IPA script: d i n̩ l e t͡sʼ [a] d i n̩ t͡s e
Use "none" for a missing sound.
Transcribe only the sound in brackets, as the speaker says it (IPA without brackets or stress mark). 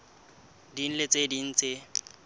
e